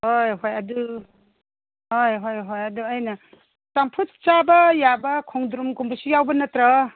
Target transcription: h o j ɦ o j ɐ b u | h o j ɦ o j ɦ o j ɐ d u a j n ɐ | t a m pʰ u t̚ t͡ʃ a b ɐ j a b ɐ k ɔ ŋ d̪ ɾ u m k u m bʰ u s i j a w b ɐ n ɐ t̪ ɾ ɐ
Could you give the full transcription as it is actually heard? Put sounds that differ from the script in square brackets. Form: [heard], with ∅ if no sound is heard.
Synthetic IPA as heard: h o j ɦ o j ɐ [d] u | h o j ɦ o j ɦ o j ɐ d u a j n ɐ | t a m pʰ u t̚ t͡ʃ a b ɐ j a b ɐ [kʰ] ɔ ŋ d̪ ɾ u m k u m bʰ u s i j a w b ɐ n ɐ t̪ ɾ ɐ